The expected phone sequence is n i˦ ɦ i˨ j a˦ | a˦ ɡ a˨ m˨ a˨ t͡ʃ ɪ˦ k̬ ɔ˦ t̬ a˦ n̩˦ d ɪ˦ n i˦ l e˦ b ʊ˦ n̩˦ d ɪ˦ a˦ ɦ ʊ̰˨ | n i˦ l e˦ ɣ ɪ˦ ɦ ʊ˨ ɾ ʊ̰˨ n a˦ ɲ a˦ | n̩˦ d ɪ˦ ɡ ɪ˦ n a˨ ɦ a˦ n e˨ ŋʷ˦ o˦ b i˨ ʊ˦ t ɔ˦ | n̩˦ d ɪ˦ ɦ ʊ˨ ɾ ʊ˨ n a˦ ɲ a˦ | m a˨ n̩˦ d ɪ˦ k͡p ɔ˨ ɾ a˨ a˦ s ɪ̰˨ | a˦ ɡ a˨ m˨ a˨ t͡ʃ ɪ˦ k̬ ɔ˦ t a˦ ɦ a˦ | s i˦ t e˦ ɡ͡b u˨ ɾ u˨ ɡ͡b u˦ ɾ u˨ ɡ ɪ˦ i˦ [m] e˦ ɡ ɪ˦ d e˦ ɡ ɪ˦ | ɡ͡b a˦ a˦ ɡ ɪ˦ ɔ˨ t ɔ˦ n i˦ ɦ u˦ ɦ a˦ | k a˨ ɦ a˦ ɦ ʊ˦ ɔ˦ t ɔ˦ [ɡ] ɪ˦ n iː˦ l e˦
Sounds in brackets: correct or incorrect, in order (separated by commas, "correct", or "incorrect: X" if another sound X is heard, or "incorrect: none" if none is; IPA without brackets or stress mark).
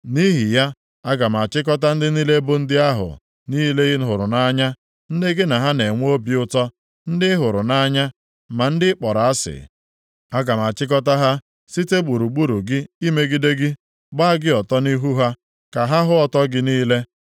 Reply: correct, correct